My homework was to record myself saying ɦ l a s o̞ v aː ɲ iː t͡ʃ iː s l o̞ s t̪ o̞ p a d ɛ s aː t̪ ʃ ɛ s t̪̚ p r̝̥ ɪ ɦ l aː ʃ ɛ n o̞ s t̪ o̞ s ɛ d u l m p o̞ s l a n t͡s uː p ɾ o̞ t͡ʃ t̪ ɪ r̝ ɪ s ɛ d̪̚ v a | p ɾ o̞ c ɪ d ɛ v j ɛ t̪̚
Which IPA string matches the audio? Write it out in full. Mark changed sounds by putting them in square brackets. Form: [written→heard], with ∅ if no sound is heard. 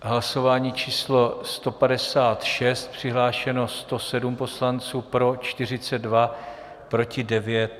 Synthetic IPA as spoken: ɦ l a s o̞ v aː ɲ iː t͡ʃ iː s l o̞ s t̪ o̞ p a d ɛ s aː t̪ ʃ ɛ s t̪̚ p r̝̥ ɪ ɦ l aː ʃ ɛ n o̞ s t̪ o̞ s ɛ d u [l→∅] m p o̞ s l a n t͡s uː p ɾ o̞ t͡ʃ t̪ ɪ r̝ ɪ [s→t͡s] ɛ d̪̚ v a | p ɾ o̞ c ɪ d ɛ v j ɛ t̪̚